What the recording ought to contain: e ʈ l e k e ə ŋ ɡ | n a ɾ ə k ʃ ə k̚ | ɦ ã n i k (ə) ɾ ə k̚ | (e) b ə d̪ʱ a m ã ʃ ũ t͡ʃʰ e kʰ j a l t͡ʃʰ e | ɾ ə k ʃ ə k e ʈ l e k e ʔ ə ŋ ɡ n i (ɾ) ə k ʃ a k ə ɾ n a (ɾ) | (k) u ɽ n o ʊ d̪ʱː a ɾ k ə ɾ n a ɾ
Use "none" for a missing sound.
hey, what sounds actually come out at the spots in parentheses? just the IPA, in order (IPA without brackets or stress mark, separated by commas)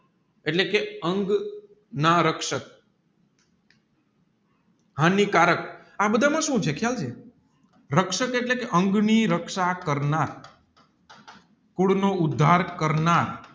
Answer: a, a, ɾ, ɾ, k